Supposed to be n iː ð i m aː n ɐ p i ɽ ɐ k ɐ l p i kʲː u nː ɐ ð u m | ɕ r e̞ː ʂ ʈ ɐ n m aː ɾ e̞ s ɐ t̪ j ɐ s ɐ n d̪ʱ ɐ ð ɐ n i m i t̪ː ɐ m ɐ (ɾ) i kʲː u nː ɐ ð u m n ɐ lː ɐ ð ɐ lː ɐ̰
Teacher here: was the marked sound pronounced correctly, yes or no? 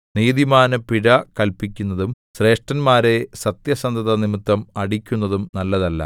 no